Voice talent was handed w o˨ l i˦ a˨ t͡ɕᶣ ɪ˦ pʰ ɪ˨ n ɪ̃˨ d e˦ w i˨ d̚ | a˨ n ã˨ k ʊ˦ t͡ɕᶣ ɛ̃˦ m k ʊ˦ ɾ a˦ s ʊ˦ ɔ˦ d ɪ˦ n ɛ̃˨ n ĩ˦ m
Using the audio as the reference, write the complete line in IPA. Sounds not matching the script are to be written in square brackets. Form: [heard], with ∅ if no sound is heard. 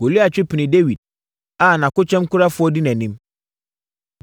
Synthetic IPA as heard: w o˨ l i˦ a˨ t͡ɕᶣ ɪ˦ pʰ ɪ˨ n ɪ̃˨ d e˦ w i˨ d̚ | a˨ n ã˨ k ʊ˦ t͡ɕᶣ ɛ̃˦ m k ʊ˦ ɾ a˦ [f] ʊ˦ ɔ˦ d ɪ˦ n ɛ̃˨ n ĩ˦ m

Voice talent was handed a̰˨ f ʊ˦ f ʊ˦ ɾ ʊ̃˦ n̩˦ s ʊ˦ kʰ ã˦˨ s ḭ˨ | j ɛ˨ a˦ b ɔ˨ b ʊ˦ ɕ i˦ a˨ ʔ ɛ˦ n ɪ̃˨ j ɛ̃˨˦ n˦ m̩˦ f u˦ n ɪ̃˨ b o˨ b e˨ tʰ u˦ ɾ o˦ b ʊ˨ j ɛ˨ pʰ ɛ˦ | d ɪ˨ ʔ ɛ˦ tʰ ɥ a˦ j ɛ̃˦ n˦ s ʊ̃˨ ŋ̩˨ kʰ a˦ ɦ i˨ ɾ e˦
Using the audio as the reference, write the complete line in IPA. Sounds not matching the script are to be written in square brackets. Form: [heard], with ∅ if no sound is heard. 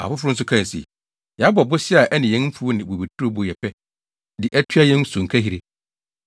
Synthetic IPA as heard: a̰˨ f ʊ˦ f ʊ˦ ɾ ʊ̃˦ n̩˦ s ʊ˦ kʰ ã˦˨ s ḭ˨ | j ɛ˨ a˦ b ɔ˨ b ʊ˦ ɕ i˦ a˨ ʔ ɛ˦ n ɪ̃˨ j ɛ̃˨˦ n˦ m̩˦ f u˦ n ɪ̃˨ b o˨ b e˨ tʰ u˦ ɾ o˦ b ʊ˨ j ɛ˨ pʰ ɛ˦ | d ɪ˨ ʔ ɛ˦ tʰ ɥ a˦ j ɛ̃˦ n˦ s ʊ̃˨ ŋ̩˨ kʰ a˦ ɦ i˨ ɾ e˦

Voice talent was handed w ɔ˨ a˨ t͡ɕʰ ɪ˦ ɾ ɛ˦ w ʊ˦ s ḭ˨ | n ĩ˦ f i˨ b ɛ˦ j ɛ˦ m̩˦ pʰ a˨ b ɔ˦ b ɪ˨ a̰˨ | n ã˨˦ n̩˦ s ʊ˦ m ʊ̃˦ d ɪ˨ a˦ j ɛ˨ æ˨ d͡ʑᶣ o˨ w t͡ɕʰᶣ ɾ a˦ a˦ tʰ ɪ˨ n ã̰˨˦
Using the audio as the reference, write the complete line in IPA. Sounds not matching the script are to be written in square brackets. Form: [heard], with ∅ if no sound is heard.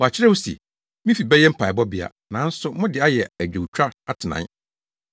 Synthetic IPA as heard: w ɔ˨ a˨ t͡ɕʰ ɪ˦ ɾ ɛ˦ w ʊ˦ s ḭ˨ | [m] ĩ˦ f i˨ b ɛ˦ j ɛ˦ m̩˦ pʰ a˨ b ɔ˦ b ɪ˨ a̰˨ | n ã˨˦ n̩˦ s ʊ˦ m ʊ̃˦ d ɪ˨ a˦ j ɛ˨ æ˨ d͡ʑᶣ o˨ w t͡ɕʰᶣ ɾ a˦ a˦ tʰ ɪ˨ n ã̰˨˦

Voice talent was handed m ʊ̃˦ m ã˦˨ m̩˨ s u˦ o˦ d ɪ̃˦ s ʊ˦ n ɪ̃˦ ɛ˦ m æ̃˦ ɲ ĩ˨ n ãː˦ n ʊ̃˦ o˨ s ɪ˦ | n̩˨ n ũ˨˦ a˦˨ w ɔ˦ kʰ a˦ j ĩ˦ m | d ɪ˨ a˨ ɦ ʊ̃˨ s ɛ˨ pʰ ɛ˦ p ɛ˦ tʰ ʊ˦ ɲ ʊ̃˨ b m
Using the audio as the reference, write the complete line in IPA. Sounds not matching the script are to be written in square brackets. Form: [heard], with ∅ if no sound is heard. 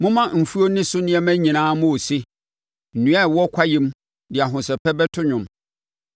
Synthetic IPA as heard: m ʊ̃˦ m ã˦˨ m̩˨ [f] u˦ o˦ [n] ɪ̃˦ s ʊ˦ n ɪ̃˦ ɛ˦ m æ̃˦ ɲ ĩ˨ n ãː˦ [m] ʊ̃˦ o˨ s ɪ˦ | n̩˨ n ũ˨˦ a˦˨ w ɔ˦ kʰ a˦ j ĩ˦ m | d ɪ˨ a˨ ɦ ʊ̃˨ s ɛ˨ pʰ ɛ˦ [b] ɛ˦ tʰ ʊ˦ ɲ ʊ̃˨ [∅] m

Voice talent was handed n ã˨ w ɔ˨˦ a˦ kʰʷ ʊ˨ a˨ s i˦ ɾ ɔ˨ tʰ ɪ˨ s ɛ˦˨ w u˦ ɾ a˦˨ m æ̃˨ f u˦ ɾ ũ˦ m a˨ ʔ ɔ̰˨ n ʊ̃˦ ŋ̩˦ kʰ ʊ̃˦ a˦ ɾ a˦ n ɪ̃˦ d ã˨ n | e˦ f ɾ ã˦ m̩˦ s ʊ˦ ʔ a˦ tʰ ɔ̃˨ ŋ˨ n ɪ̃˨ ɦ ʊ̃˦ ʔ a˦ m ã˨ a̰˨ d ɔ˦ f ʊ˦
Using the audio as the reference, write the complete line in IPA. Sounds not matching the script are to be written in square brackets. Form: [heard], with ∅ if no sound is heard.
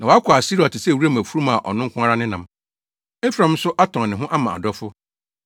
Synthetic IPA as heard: n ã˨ w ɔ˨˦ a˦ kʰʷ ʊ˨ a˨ s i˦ ɾ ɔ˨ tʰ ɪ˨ s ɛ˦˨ w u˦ ɾ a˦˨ m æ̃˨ f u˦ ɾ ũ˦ m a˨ ʔ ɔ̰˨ n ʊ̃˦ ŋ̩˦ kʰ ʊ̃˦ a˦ ɾ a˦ n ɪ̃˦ [n] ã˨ [m] | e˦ f ɾ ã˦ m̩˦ s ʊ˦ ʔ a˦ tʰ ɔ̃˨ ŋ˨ n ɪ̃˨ ɦ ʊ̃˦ ʔ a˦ m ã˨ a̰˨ d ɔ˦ f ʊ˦

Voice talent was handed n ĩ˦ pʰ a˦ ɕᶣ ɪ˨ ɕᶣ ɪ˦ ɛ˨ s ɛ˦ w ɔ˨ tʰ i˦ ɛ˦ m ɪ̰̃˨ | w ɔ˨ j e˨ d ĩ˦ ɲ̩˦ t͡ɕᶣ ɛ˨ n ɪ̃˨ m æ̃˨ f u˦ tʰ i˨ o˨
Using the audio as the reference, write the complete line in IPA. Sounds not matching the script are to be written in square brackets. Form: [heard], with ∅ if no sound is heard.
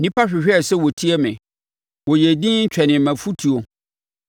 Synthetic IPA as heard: n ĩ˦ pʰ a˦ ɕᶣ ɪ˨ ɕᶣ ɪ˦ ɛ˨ s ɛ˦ w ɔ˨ tʰ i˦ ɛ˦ m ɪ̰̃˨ | w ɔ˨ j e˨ d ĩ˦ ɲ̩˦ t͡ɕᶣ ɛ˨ n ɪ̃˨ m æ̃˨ f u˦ tʰ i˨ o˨

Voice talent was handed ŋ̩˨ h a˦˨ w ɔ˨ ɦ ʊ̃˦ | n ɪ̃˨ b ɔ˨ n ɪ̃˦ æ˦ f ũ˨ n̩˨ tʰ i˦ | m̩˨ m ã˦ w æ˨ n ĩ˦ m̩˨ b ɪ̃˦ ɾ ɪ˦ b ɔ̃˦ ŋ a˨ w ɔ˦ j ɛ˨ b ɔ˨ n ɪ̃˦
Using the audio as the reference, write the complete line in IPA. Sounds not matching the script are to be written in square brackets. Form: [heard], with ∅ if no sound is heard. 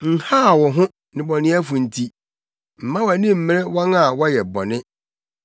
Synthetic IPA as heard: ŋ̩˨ h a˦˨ w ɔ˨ ɦ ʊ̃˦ | n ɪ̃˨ b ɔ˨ n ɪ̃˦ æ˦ f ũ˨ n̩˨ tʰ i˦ | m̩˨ m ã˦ w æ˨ n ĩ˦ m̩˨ [m] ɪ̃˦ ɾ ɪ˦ [w] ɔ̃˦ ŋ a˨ w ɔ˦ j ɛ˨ b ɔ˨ n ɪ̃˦

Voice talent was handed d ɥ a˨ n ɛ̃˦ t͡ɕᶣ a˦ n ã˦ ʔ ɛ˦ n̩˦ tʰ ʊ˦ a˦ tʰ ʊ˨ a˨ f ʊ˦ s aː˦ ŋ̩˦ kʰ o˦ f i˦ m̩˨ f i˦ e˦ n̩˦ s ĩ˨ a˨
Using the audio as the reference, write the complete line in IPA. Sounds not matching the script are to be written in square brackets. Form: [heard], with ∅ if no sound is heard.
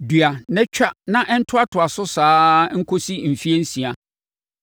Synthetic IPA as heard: d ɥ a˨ n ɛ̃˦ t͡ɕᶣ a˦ n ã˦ ʔ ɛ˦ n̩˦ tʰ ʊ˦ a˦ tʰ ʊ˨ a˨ [s] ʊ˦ s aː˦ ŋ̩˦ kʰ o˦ [s] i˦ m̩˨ f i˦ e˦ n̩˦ s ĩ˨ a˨

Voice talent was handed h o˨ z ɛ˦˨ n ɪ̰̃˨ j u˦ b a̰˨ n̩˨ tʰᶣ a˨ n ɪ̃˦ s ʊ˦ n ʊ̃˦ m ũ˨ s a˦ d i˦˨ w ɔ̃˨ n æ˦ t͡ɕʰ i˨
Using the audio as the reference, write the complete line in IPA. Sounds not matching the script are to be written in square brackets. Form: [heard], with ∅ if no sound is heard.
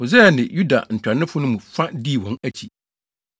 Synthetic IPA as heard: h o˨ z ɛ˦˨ n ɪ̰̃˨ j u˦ [d] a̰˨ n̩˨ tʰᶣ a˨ n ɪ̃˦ [f] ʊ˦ n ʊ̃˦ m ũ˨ [f] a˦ d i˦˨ w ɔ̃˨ n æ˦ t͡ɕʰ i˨

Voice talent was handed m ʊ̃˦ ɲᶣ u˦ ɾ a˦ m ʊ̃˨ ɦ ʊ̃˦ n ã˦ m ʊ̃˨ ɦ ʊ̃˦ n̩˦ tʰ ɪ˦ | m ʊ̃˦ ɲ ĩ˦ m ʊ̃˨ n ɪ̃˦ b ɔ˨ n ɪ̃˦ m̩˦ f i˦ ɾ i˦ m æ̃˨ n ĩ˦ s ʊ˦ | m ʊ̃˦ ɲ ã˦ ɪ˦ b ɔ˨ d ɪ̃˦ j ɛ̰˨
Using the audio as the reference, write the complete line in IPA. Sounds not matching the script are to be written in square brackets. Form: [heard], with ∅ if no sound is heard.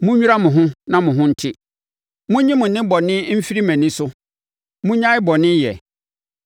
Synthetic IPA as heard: m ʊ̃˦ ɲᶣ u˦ ɾ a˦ m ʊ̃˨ ɦ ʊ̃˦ n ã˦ m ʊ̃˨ ɦ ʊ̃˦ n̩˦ tʰ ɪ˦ | m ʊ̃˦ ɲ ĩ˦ m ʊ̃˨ n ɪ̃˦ b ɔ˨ n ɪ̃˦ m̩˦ f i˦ ɾ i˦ m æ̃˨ n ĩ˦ s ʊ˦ | m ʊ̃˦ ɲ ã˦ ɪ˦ b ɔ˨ [n] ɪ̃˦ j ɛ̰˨

